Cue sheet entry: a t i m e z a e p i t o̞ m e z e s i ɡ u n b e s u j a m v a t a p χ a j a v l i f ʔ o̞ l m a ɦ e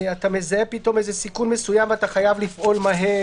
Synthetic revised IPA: a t a m e z a e p i t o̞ m e z e s i k u n m e s u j a m v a t a χ a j a v l i f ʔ o̞ l m a ɦ e